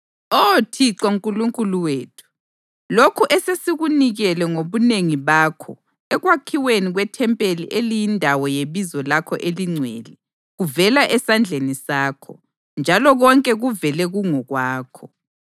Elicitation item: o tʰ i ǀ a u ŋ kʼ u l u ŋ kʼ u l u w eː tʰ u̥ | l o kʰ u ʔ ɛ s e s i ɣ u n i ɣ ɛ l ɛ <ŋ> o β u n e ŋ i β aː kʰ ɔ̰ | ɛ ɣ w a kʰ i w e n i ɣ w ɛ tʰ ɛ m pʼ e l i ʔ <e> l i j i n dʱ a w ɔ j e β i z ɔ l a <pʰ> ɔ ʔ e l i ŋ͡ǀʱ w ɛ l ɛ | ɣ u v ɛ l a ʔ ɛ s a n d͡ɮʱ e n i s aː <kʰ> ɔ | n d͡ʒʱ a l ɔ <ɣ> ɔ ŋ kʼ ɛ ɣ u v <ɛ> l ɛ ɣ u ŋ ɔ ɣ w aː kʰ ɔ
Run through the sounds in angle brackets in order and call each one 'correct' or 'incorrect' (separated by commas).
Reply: correct, correct, incorrect, correct, correct, correct